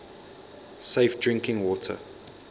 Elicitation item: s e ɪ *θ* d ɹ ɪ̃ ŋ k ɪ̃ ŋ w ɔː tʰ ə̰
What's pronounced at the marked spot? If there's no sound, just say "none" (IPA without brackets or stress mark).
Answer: f